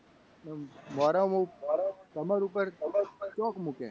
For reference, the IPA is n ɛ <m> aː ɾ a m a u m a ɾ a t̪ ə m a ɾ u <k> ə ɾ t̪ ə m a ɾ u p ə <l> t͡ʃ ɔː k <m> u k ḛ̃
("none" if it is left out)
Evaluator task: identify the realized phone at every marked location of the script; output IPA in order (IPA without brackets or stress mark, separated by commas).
m, p, ɾ, m